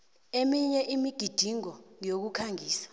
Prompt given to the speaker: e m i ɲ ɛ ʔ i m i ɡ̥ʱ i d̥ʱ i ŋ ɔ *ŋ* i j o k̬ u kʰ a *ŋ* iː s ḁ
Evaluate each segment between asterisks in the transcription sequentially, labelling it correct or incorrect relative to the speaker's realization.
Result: correct, correct

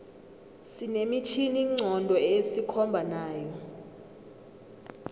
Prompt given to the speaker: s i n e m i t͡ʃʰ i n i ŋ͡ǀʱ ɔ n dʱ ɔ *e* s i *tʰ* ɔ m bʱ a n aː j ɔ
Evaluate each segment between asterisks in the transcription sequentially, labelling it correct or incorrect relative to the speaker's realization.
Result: correct, incorrect

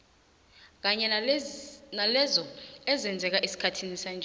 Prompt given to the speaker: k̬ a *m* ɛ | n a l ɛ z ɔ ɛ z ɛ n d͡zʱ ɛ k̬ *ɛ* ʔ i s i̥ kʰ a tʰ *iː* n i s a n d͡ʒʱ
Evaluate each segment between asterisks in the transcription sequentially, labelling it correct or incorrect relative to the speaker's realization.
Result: incorrect, incorrect, incorrect

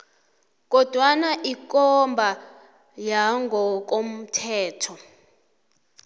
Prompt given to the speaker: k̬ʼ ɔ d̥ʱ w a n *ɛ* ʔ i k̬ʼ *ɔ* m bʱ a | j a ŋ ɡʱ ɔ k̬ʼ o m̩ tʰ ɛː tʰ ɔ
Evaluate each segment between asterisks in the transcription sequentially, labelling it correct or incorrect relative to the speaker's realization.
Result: incorrect, correct

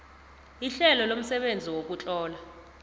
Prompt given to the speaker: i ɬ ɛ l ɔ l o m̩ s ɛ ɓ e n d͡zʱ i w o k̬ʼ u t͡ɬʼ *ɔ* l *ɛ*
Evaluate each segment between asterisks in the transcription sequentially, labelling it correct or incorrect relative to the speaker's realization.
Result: incorrect, incorrect

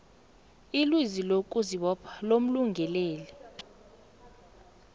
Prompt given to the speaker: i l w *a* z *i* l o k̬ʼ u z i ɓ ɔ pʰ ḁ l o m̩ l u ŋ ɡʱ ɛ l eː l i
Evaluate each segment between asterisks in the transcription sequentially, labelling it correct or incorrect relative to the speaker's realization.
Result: incorrect, correct

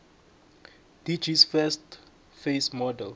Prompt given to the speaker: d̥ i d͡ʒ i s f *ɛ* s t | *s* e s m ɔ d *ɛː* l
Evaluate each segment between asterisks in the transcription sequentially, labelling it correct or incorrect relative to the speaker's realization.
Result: correct, incorrect, incorrect

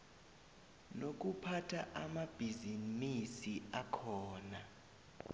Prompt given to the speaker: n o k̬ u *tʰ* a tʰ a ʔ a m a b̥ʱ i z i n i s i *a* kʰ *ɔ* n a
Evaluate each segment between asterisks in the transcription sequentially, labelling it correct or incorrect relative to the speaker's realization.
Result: incorrect, correct, incorrect

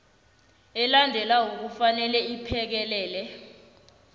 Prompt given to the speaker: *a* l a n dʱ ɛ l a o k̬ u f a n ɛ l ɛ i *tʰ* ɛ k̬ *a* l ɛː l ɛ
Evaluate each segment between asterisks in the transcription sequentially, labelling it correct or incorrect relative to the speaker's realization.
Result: incorrect, incorrect, incorrect

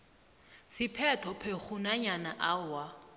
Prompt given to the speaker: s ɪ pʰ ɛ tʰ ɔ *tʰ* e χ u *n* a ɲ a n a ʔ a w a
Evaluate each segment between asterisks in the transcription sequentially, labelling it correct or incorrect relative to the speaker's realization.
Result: incorrect, correct

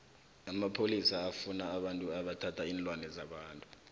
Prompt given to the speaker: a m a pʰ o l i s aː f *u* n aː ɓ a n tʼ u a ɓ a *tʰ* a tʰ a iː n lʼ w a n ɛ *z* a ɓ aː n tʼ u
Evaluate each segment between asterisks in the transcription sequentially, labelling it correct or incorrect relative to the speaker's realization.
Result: correct, correct, correct

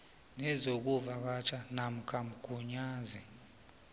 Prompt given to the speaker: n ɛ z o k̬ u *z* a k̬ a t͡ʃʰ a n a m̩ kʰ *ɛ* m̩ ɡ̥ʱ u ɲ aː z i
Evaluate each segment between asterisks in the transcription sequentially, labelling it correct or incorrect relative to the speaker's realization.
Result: incorrect, incorrect

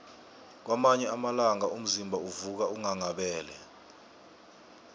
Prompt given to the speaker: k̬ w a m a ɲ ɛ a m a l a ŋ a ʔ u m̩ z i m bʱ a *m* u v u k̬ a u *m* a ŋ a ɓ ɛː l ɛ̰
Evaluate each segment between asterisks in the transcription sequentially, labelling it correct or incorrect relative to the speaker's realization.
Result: incorrect, incorrect

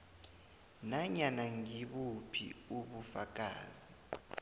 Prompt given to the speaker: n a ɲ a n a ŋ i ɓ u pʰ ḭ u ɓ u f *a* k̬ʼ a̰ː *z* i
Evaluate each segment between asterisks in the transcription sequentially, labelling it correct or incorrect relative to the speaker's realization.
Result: correct, correct

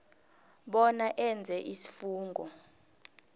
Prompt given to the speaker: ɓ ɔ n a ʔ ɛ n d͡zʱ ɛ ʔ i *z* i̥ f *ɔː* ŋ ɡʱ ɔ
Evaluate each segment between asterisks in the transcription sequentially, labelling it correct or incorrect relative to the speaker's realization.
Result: incorrect, incorrect

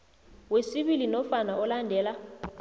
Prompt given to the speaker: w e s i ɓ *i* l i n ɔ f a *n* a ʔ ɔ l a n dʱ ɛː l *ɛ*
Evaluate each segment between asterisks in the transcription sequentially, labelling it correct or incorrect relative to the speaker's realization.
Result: correct, correct, incorrect

